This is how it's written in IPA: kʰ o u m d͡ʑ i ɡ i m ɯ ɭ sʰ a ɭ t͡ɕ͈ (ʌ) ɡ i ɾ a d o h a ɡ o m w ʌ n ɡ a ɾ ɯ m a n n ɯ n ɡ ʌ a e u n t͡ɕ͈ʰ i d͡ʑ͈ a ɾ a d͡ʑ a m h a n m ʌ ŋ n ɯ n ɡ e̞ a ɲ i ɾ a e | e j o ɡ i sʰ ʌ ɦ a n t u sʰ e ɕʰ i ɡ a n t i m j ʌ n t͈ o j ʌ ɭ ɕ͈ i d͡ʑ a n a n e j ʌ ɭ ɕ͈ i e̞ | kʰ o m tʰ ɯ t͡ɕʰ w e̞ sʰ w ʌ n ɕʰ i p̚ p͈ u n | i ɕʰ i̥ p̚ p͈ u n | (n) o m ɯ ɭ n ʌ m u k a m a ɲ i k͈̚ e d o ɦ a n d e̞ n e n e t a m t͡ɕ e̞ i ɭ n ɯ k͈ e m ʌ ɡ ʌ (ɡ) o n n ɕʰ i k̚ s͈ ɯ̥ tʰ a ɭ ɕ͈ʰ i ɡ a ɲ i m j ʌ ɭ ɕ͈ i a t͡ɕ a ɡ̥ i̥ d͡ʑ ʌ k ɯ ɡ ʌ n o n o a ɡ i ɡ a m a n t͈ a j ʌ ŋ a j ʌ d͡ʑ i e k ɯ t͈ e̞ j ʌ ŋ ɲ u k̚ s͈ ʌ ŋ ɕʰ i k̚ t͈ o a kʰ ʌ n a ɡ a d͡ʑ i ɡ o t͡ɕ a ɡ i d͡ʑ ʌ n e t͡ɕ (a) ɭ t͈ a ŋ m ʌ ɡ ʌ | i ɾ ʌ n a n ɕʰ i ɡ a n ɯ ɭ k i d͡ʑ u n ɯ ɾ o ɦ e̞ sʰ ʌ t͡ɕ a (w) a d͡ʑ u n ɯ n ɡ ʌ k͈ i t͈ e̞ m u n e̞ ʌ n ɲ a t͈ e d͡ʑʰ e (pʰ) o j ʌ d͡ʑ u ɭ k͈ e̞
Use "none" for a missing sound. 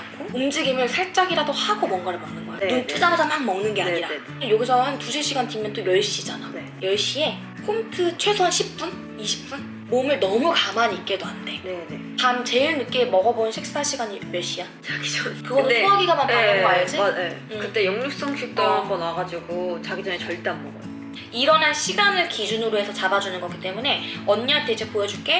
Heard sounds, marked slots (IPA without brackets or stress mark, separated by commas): a, m, b, ʌ, b, p